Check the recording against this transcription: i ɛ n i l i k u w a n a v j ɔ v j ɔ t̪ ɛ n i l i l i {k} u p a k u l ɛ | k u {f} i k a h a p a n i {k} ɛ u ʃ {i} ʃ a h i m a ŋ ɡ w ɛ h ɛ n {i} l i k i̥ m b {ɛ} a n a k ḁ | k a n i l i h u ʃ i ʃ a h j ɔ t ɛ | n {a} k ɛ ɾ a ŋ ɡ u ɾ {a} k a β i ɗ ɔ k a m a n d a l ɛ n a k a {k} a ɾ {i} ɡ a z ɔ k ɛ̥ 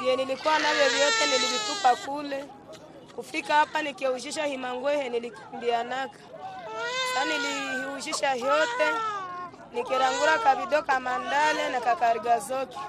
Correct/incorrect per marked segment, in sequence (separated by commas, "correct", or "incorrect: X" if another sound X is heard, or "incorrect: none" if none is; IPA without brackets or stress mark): incorrect: t, correct, correct, correct, correct, incorrect: i, incorrect: i, correct, correct, correct